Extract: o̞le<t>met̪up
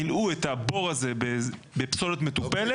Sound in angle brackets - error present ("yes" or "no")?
no